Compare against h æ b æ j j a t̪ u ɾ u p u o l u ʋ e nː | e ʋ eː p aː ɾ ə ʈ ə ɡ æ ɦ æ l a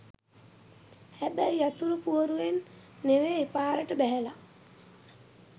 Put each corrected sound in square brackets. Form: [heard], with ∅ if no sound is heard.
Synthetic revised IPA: h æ b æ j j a t̪ u ɾ u p u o [ɾ] u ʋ e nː | e ʋ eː p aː ɾ ə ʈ ə [b] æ ɦ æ l a